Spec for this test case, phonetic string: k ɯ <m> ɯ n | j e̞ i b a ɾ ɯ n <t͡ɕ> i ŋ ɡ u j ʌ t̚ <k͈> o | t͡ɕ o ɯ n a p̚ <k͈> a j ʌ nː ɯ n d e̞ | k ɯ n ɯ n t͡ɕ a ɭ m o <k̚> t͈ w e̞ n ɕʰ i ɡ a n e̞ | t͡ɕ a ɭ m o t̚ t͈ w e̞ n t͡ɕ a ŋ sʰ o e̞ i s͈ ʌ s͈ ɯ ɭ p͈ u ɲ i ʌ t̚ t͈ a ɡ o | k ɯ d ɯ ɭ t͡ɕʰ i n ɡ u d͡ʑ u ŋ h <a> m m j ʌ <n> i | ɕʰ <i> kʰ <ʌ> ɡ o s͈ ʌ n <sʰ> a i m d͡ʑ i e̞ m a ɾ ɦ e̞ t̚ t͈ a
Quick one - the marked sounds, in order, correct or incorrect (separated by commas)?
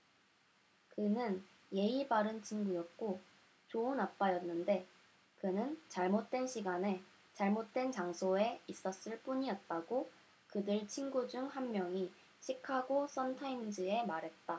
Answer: incorrect, incorrect, correct, incorrect, incorrect, correct, incorrect, correct, incorrect, incorrect